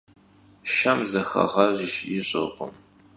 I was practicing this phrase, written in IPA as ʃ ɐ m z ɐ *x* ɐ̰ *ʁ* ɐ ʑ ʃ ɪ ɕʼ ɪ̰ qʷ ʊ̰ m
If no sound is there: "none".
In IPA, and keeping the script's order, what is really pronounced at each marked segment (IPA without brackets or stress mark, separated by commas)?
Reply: x, ʁ